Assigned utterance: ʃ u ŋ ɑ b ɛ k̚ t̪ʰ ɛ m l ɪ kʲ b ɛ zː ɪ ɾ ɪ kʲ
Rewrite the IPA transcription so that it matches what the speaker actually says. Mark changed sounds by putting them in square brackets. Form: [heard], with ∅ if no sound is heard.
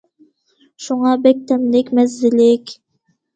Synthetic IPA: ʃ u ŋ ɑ b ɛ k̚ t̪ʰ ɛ m l ɪ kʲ [m] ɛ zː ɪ [l] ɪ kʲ

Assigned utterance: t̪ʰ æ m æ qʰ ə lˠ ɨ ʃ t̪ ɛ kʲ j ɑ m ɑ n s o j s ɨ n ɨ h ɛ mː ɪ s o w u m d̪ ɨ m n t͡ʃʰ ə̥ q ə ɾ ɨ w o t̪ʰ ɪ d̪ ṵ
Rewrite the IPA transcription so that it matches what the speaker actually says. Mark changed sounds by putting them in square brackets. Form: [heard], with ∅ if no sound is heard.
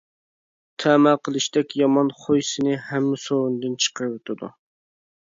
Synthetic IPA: t̪ʰ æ m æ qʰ ə lˠ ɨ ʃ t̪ ɛ kʲ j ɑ m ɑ n [χ] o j s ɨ n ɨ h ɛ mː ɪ s o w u [n] d̪ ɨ [∅] n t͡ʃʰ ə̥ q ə ɾ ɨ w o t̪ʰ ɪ d̪ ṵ

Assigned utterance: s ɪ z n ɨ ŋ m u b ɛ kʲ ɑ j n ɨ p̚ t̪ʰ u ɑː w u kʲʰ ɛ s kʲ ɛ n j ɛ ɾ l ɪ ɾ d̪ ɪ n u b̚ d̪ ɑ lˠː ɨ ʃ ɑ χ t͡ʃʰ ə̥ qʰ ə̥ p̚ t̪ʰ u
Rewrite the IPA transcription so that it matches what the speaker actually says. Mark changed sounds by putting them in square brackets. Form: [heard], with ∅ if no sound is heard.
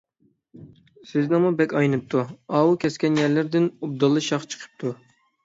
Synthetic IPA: s ɪ z n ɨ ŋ m u b ɛ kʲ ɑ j n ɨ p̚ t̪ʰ u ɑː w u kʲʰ ɛ s kʲ ɛ n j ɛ ɾ l ɪ ɾ d̪ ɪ n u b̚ d̪ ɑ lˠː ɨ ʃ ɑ χ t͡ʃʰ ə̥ qʰ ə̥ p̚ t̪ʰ u

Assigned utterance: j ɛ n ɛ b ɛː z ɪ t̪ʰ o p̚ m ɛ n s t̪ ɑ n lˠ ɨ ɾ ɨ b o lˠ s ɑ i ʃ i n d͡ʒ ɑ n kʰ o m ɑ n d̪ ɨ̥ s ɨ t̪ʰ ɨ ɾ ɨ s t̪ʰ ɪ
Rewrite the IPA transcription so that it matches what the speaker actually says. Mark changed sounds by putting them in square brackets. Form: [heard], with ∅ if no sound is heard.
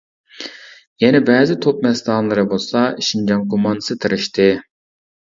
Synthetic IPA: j ɛ n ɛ b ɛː z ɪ t̪ʰ o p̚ m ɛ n s t̪ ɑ n lˠ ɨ ɾ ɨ b o lˠ s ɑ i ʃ i n d͡ʒ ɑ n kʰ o m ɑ n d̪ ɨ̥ s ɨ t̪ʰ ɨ ɾ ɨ [ʃ] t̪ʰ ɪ

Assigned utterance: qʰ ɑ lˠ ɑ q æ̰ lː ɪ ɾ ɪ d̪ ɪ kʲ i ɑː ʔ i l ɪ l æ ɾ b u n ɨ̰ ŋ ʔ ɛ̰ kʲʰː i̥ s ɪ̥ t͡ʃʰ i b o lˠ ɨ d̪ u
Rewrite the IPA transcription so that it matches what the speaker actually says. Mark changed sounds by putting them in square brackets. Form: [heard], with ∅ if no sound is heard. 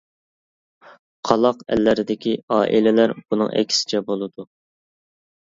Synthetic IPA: qʰ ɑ lˠ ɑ q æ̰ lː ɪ ɾ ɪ d̪ ɪ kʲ i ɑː ʔ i l ɪ l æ ɾ b u n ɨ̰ ŋ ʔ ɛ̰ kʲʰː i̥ s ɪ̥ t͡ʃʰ [ɛ] b o lˠ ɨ d̪ u

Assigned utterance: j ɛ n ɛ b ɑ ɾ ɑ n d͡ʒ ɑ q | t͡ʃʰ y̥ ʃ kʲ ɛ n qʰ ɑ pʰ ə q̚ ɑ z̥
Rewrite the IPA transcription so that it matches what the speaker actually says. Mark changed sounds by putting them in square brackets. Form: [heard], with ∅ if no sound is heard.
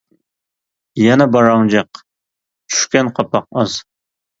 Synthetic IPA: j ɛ n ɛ b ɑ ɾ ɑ [ŋ] d͡ʒ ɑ q | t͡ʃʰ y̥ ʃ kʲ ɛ n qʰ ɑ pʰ [ɑ] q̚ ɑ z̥

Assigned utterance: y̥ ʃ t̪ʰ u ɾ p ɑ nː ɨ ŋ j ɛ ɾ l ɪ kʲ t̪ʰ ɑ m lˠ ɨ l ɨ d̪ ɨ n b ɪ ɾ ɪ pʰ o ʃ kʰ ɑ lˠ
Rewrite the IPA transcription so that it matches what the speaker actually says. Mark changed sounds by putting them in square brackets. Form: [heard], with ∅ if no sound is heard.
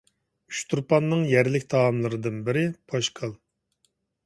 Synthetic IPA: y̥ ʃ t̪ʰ u ɾ p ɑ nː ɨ ŋ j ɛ ɾ l ɪ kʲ t̪ʰ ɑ m lˠ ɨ [ɾ] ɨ d̪ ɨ n b ɪ ɾ ɪ pʰ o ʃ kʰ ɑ lˠ

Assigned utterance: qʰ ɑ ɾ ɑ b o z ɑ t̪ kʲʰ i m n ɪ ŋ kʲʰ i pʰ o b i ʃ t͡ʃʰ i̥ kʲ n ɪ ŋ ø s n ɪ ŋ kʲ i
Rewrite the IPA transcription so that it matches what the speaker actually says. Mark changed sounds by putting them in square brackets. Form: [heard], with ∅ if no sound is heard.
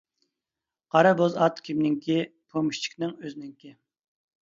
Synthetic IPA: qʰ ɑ ɾ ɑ b o z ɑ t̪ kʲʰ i m n ɪ ŋ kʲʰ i pʰ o [m] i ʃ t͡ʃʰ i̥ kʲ n ɪ ŋ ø [z] n ɪ ŋ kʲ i

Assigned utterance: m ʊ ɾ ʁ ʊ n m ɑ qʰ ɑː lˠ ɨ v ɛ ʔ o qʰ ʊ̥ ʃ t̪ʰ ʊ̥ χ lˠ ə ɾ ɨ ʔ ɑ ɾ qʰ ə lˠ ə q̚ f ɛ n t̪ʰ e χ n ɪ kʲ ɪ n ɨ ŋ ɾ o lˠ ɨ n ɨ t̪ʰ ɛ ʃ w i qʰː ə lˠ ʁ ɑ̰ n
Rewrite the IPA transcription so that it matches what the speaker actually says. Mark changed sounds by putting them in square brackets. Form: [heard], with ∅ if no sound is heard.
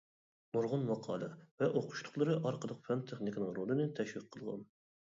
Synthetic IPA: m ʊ ɾ ʁ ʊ n m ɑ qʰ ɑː lˠ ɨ v ɛ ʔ o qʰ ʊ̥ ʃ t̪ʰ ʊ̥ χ lˠ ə ɾ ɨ ʔ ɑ ɾ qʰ ə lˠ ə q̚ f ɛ n t̪ʰ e χ n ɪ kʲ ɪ n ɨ ŋ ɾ o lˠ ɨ n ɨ t̪ʰ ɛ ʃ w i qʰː ə lˠ ʁ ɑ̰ n

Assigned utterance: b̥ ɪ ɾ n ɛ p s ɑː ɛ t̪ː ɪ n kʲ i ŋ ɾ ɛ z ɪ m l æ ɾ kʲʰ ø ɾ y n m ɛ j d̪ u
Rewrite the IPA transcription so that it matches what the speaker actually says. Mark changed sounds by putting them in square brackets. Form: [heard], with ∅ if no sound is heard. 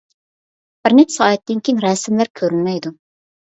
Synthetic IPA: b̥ ɪ ɾ n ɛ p s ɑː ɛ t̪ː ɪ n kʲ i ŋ ɾ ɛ [s] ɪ m l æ ɾ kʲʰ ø ɾ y n m ɛ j d̪ u

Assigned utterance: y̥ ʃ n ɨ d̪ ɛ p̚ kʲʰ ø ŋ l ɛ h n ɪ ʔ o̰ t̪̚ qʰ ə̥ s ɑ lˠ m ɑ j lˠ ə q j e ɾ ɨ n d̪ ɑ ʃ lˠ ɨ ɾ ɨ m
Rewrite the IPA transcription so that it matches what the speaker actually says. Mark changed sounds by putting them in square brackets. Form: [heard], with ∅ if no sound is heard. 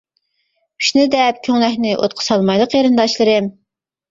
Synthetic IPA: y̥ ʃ n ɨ d̪ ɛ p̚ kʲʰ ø ŋ l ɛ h n ɪ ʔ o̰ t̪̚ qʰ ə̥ s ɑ lˠ m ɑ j lˠ ə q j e ɾ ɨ n d̪ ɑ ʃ lˠ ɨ ɾ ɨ m

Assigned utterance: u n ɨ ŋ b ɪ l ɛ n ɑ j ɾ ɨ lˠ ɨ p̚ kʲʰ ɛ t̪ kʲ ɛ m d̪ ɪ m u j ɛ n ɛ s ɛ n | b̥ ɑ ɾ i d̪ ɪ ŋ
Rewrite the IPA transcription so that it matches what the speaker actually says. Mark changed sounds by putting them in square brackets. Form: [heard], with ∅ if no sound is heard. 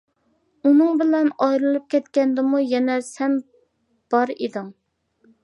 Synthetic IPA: u n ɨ ŋ b ɪ l ɛ n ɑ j ɾ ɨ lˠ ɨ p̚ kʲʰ ɛ t̪ kʲ ɛ [n] d̪ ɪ m u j ɛ n ɛ s ɛ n | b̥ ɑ ɾ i d̪ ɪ ŋ

